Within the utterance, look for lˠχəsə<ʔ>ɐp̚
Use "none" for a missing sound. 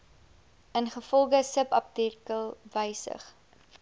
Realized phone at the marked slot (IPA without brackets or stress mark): p